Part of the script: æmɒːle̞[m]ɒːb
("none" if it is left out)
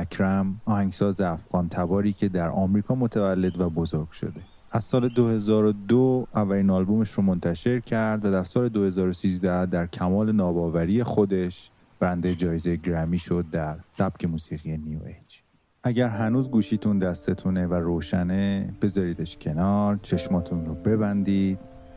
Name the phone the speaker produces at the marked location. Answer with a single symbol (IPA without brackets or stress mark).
n